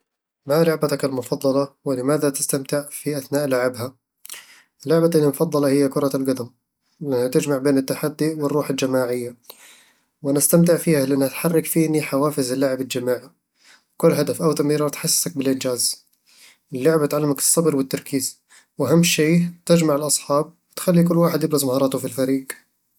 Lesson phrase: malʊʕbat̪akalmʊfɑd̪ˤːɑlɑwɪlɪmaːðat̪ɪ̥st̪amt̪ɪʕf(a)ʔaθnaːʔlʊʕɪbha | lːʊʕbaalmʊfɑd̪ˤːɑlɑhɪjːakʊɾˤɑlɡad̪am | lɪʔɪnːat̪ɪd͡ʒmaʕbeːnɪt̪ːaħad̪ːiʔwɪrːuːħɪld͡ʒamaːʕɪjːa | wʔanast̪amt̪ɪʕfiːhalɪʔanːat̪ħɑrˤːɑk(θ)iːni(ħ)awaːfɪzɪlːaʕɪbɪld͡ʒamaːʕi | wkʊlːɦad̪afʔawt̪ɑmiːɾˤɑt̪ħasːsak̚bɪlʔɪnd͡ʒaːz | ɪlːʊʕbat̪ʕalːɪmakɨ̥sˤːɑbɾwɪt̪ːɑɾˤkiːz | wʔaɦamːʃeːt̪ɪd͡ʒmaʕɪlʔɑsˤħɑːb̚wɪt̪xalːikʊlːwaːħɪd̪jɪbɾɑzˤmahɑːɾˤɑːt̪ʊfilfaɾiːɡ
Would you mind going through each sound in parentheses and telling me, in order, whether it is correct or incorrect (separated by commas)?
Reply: incorrect, incorrect, correct